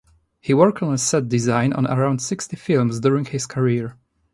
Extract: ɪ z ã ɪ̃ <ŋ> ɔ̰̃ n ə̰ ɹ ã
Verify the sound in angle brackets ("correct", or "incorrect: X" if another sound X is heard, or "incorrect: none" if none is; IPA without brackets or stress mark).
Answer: incorrect: n